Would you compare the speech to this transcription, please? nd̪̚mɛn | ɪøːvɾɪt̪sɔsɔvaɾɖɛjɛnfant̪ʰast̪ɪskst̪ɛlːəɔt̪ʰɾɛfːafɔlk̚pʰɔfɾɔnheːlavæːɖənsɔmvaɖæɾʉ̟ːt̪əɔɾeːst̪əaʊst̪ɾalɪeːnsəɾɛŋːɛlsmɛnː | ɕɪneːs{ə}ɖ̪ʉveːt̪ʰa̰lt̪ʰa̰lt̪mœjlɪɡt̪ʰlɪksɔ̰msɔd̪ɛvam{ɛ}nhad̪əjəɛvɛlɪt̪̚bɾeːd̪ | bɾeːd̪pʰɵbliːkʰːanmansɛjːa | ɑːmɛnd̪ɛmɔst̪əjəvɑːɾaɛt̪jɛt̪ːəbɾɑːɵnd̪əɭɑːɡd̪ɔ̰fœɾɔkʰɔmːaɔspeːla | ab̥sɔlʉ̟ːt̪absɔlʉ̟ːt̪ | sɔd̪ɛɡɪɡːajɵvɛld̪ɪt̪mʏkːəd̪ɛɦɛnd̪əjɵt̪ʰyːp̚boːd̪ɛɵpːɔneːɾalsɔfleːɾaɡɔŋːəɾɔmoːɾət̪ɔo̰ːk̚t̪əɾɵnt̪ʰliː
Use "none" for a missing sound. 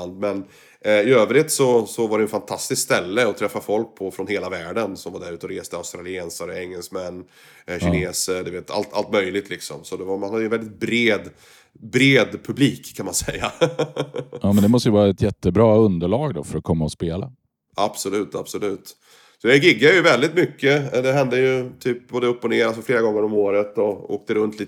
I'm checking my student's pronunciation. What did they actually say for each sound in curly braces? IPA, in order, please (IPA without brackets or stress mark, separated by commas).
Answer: ə, a